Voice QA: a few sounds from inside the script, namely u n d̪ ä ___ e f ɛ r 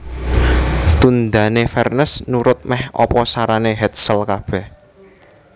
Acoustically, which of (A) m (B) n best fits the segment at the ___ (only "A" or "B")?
B